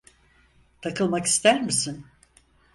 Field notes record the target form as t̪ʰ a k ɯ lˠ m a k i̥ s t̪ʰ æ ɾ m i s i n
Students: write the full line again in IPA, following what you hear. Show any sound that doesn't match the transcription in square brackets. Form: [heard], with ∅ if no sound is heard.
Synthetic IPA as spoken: t̪ʰ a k ɯ lˠ m a k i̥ s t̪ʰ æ ɾ m i s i n